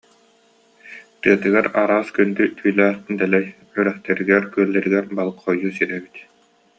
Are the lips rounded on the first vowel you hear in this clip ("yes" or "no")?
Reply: no